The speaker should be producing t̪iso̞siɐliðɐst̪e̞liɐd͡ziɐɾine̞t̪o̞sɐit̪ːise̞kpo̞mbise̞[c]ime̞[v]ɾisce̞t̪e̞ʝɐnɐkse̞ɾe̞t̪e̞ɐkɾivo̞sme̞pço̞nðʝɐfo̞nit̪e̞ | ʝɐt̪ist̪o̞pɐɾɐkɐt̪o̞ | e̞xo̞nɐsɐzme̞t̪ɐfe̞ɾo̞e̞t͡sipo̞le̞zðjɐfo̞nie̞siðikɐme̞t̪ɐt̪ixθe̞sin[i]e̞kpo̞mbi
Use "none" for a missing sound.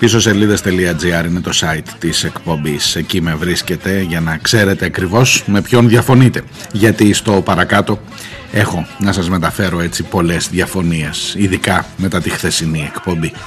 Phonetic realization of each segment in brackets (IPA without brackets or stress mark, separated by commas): c, v, i